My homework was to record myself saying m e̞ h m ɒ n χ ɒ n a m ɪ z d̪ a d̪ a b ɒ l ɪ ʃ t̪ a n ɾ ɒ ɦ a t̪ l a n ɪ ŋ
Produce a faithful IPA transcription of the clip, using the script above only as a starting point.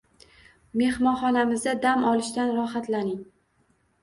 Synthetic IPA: m e̞ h m ɒ n χ ɒ n a m ɪ z d̪ a d̪ a m ɒ l ɪ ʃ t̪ a n ɾ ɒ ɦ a t̪ l a n ɪ ŋ